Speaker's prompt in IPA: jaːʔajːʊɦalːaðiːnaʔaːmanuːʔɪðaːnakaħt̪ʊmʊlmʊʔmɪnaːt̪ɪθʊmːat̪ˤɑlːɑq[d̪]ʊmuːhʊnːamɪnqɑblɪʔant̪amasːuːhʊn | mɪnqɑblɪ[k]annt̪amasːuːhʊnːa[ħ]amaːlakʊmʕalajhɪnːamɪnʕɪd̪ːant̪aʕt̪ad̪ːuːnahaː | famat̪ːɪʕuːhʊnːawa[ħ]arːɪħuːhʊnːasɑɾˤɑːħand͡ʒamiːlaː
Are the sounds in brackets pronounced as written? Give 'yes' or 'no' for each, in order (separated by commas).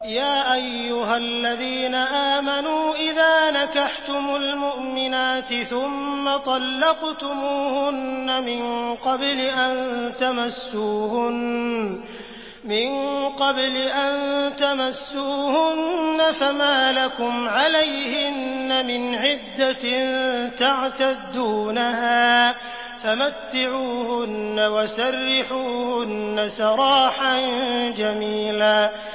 no, no, no, no